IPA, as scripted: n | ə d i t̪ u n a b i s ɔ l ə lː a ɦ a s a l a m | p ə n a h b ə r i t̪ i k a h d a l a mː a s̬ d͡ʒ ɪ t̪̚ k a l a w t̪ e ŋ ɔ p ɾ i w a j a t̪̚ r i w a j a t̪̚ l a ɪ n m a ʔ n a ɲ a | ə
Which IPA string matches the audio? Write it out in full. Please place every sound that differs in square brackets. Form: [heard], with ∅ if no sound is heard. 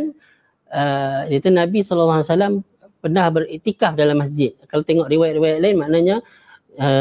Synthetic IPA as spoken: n | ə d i t̪ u n a b i s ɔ l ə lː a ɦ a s a l a m | p ə n a h b ə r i t̪ i k a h d a l a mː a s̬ d͡ʒ ɪ t̪̚ k a l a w t̪ e ŋ ɔ [ʔ] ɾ i w a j a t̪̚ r i w a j a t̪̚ l a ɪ n m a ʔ n a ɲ a | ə